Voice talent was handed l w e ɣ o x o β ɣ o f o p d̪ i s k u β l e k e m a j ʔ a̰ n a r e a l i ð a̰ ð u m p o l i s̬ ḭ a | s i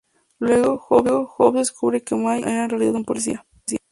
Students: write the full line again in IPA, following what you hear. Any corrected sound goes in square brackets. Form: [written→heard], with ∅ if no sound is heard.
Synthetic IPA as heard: l w e ɣ o x o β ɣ o [f→x] o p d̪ [i→e] s k u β [l→ɾ] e k e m a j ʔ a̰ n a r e a l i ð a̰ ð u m p o l i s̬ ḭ a | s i